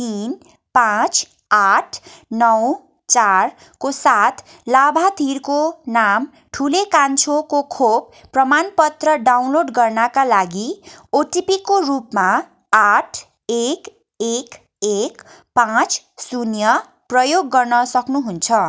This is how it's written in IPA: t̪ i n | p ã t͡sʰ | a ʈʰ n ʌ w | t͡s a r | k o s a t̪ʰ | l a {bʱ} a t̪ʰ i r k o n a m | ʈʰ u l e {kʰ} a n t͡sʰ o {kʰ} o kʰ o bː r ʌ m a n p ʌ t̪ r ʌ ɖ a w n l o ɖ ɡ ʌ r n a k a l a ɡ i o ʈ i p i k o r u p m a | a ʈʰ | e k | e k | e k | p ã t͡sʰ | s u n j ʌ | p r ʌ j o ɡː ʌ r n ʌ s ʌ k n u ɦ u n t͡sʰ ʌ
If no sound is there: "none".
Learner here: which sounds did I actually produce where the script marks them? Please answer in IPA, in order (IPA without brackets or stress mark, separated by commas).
bʱ, k, k